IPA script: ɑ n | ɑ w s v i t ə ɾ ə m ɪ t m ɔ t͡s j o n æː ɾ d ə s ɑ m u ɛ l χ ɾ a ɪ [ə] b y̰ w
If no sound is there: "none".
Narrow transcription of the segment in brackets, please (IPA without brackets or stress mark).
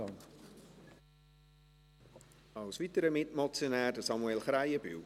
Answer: ə